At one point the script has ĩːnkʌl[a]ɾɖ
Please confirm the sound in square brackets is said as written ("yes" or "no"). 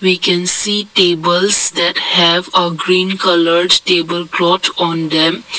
no